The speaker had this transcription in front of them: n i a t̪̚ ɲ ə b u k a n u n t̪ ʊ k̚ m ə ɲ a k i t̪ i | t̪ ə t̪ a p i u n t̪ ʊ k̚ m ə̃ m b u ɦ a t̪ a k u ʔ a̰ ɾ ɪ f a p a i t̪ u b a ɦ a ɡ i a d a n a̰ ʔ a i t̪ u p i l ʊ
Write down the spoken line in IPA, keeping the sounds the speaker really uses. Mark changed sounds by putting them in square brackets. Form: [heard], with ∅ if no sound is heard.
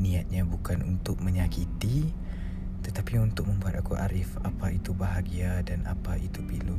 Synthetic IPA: n i a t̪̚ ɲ [a] b u k a n u n t̪ ʊ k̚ m ə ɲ a k i t̪ i | t̪ ə t̪ a p i u n t̪ ʊ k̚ m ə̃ m b u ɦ a t̪ a k u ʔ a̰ ɾ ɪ f a p a i t̪ u b a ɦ a ɡ i a d a n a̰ [p] a i t̪ u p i l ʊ